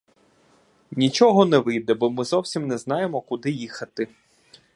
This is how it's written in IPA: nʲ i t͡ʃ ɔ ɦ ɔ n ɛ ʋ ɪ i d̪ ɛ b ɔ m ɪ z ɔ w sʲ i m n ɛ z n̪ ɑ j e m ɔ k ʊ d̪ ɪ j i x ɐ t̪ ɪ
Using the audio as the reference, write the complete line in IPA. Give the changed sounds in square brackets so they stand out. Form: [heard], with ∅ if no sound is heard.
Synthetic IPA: nʲ i t͡ʃ ɔ ɦ ɔ n ɛ ʋ ɪ [j] d̪ ɛ b ɔ m ɪ z ɔ w sʲ i m n ɛ z n̪ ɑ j e m ɔ k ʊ d̪ ɪ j i x ɐ t̪ ɪ